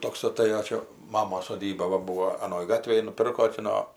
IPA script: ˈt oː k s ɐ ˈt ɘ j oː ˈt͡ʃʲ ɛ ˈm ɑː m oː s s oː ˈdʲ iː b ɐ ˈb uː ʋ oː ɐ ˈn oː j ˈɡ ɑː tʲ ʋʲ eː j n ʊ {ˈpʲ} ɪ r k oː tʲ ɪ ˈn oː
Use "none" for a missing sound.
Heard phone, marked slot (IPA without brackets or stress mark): pʲ